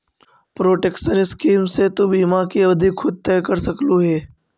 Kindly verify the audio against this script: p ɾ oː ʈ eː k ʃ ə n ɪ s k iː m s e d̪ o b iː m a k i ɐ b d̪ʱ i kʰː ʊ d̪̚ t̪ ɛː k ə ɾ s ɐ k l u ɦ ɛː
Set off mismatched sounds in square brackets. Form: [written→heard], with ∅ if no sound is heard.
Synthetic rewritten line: p ɾ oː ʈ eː k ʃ ə n ɪ s k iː m s e [d̪→t̪] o b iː m a k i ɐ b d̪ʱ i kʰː ʊ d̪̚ t̪ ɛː k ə ɾ s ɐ k l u ɦ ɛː